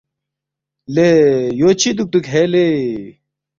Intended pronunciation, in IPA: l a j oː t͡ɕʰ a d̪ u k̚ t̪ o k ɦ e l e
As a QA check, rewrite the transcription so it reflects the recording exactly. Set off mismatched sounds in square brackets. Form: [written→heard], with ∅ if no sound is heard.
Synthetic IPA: l [a→e] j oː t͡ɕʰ [a→i] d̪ u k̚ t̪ [o→u] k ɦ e l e